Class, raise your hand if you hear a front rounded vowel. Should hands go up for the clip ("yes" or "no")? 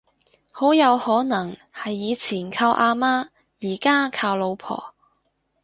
no